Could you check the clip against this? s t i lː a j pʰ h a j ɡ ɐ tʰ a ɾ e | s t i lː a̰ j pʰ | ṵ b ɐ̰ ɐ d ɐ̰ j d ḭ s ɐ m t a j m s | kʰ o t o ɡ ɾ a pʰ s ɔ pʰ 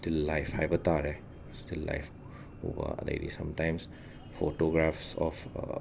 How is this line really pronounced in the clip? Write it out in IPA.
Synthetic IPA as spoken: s t i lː a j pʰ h a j b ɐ t a ɾ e | s t i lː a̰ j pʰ | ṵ b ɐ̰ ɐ d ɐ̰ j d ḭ s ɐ m t a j m s | pʰ o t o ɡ ɾ a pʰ s ɔ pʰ

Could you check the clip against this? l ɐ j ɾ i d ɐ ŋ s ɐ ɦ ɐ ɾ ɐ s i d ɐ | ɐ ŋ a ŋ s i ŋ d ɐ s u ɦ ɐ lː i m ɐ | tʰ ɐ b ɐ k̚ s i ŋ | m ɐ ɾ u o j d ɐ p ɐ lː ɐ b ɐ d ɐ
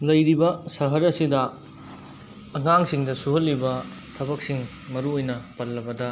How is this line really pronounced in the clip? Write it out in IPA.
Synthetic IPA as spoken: l ɐ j ɾ i b ɐ s ɐ ɦ ɐ ɾ ɐ s i d ɐ | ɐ ŋ a ŋ s i ŋ d ɐ s u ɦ ɐ lː i b ɐ | tʰ ɐ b ɐ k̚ s i ŋ | m ɐ ɾ u o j n ɐ p ɐ lː ɐ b ɐ d ɐ

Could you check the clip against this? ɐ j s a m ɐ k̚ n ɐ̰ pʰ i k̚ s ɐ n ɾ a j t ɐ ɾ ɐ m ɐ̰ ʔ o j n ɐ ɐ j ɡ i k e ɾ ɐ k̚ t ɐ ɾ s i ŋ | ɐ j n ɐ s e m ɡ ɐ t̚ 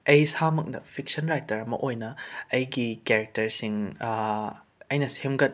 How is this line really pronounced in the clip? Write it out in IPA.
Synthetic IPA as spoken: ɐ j s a m ɐ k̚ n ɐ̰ pʰ i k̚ s ɐ n ɾ a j t ɐ ɾ ɐ m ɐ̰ ʔ o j n ɐ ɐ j ɡ i k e ɾ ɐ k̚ t ɐ ɾ s i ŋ | ɐ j n ɐ s e m ɡ ɐ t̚

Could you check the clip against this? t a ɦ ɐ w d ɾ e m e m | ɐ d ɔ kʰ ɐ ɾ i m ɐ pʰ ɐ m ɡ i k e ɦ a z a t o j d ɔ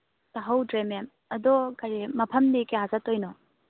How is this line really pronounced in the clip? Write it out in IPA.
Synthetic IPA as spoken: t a ɦ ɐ w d ɾ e m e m | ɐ d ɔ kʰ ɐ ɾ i m ɐ pʰ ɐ m d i k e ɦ a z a t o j n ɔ

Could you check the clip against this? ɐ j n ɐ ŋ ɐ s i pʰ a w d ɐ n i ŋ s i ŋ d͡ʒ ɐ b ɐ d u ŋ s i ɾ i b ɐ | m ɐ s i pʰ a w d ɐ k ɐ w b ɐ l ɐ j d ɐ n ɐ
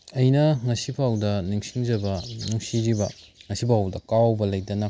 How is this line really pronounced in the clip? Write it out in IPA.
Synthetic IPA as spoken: ɐ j n ɐ ŋ ɐ s i pʰ a w d ɐ n i ŋ s i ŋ d͡ʒ ɐ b ɐ n u ŋ s i ɾ i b ɐ | ŋ ɐ s i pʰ a w d ɐ k a w b ɐ l ɐ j d ɐ n ɐ

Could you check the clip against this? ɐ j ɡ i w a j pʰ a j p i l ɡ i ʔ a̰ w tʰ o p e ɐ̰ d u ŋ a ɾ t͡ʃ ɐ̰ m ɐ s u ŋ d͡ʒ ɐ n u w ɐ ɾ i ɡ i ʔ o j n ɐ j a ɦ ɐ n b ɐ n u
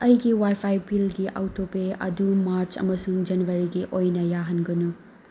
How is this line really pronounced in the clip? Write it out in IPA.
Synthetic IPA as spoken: ɐ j ɡ i w a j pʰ a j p i l ɡ i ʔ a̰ w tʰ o p e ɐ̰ d u m a ɾ t͡ʃ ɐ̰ m ɐ s u ŋ d͡ʒ ɐ n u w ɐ ɾ i ɡ i ʔ o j n ɐ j a ɦ ɐ n ɡ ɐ n u

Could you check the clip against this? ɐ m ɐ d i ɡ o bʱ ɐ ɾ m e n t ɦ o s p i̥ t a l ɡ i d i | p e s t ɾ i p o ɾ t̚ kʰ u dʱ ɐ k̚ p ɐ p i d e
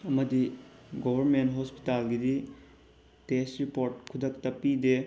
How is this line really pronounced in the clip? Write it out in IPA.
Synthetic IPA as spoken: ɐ m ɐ d i ɡ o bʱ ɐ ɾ m e n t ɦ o s p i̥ t a l ɡ i d i | t e s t ɾ i p o ɾ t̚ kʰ u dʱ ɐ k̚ t ɐ p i d e

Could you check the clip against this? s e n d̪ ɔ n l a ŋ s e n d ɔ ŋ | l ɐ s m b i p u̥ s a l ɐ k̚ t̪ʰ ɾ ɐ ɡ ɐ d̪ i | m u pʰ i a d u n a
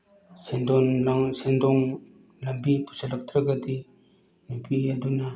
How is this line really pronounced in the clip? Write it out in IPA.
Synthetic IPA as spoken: s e n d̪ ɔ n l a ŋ s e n d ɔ ŋ | l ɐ m b i p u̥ s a l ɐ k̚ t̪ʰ ɾ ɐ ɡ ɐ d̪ i | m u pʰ i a d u n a

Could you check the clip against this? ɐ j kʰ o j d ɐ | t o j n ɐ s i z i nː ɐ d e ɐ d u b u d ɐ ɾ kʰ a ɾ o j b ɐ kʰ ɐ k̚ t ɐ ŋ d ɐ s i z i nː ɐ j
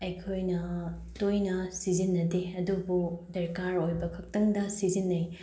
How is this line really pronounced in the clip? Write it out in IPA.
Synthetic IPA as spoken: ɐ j kʰ o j n ɐ | t o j n ɐ s i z i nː ɐ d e ɐ d u b u d ɐ ɾ k a ɾ o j b ɐ kʰ ɐ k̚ t ɐ ŋ d ɐ s i z i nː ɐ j

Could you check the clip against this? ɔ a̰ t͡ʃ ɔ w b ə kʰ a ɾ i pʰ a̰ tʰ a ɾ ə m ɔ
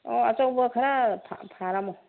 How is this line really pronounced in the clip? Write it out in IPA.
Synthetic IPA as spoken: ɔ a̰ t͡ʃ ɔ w b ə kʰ a ɾ a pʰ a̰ pʰ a ɾ a m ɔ

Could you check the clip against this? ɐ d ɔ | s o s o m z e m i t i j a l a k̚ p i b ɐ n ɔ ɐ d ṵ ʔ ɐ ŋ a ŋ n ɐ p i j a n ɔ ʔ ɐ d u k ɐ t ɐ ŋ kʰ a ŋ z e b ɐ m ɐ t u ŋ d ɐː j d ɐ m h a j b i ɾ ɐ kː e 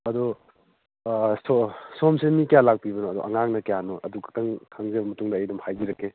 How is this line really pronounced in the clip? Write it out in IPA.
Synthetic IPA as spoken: ɐ d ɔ | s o s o m s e m i k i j a l a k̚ p i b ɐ n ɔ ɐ d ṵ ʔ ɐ ŋ a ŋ n ɐ k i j a n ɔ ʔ ɐ d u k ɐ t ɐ ŋ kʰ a ŋ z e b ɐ m ɐ t u ŋ d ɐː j d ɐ m h a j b i ɾ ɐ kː e

